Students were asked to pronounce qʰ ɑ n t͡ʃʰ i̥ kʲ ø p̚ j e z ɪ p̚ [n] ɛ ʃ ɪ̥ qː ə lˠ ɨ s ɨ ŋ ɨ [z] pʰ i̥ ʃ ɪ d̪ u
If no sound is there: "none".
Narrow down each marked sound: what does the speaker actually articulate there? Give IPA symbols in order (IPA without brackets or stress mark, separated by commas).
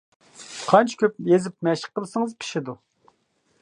m, z